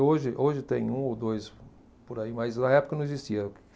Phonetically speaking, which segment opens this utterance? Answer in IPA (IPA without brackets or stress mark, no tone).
o